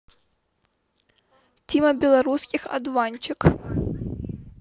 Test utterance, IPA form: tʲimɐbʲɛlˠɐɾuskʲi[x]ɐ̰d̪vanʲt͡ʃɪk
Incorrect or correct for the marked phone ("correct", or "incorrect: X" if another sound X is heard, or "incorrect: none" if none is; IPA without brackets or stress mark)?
correct